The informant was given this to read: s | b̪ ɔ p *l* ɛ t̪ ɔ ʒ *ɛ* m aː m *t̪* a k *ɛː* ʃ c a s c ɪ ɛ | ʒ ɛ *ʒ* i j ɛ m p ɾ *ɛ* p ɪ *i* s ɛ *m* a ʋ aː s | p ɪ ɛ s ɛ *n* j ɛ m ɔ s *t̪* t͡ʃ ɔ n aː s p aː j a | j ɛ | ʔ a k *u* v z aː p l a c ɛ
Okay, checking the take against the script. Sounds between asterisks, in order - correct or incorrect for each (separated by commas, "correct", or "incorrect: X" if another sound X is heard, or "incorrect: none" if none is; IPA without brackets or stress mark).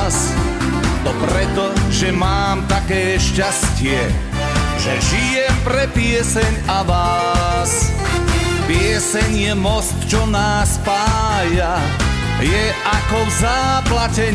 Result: incorrect: ɾ, correct, correct, correct, correct, correct, incorrect: ɛ, incorrect: ɲ, incorrect: ɲ, correct, incorrect: ɔ